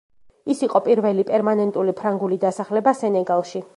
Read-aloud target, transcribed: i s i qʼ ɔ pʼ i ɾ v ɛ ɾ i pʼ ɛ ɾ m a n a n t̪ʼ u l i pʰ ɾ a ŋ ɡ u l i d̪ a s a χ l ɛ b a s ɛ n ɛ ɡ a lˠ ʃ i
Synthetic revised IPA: i s i qʼ ɔ pʼ i ɾ v ɛ l i pʼ ɛ ɾ m a n ɛ n t̪ʼ u l i pʰ ɾ a ŋ ɡ u l i d̪ a s a χ l ɛ b a s ɛ n ɛ ɡ a lˠ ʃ i